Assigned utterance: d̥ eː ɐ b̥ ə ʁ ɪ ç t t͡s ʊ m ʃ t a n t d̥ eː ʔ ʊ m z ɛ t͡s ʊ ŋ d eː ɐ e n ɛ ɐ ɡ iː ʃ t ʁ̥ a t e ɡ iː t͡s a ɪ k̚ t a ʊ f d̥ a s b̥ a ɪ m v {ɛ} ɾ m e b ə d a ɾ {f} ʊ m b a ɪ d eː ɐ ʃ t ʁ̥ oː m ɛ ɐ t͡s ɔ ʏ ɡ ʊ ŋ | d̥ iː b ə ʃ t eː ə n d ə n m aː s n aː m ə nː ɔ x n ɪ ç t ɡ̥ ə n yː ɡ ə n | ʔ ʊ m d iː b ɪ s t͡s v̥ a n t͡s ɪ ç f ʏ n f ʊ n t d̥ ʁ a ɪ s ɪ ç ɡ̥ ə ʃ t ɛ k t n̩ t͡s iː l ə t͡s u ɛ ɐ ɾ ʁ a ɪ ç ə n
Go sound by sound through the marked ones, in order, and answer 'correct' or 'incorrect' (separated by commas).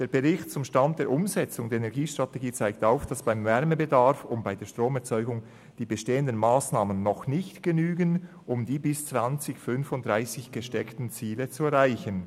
correct, correct